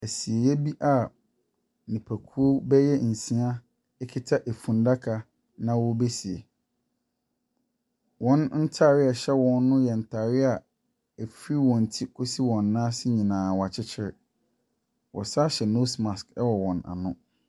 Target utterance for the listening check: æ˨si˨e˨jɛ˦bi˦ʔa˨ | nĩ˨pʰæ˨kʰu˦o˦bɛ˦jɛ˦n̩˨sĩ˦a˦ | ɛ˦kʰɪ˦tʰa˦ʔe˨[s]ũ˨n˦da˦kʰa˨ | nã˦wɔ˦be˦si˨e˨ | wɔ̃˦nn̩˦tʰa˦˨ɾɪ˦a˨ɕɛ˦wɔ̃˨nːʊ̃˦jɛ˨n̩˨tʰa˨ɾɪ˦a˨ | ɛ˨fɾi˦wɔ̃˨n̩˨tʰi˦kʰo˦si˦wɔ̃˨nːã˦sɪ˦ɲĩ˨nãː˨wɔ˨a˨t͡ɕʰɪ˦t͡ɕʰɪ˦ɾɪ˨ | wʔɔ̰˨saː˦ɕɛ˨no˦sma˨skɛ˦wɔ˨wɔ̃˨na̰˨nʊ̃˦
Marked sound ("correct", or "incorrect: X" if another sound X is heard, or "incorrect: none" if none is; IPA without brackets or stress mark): incorrect: f